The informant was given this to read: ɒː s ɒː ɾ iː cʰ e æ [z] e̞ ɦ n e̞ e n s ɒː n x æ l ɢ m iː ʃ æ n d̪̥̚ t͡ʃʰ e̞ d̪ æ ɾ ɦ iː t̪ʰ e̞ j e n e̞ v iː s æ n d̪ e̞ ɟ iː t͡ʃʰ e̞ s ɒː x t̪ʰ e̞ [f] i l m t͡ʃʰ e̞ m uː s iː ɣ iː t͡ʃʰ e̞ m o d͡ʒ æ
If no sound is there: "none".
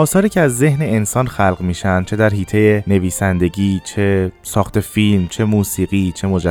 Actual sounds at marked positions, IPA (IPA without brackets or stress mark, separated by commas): zː, f